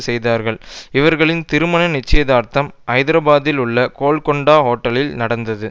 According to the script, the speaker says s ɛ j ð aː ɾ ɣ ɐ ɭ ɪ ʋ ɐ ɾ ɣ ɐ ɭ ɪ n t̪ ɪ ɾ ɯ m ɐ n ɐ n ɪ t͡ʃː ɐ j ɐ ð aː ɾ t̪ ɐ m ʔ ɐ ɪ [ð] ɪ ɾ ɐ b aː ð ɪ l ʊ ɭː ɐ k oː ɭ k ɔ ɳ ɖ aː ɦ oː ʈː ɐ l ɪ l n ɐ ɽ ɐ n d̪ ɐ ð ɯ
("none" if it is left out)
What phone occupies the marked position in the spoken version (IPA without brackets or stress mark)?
ð